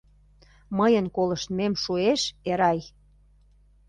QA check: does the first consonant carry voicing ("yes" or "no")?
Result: yes